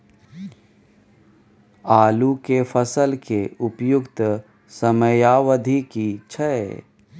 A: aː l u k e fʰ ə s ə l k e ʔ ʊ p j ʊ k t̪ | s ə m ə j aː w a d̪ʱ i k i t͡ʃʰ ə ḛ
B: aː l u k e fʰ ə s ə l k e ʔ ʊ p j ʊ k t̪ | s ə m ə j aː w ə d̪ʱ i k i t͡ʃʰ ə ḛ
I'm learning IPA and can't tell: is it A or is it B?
B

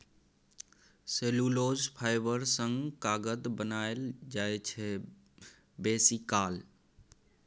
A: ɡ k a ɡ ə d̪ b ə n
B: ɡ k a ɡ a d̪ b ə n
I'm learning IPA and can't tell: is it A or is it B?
A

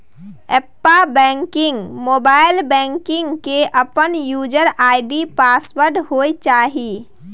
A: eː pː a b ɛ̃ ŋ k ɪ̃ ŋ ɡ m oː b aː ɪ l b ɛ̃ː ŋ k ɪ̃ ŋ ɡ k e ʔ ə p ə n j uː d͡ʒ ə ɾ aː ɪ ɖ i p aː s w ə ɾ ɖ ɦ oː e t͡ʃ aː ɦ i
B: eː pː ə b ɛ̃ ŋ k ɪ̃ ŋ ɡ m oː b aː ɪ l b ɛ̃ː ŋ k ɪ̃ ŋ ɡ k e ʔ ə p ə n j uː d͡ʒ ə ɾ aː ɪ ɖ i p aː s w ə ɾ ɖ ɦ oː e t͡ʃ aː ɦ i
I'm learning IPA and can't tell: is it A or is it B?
A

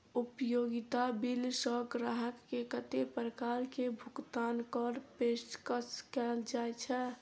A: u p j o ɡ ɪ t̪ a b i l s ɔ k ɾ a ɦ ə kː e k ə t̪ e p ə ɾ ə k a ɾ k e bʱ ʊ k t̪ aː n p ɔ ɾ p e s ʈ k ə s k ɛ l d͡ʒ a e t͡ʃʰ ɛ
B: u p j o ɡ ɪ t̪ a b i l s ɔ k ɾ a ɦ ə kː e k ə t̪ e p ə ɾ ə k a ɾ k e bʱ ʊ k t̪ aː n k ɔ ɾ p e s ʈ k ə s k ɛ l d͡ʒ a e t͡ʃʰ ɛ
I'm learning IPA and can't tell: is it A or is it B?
B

